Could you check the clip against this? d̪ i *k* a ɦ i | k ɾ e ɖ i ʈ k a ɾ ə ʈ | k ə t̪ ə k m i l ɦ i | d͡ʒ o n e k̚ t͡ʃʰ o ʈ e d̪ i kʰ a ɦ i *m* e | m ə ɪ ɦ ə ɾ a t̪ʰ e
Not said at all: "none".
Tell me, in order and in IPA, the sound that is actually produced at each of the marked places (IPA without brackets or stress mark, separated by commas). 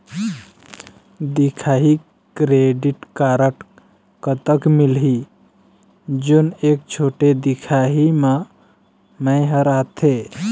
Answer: kʰ, m